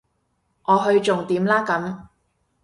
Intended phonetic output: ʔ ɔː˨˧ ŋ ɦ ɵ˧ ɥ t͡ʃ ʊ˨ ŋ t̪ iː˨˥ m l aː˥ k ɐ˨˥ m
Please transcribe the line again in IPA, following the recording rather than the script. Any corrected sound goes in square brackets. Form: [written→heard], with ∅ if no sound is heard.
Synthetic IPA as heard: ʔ ɔː˨˧ [ŋ→∅] ɦ ɵ˧ ɥ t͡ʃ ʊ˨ ŋ t̪ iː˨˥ m l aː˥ k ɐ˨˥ m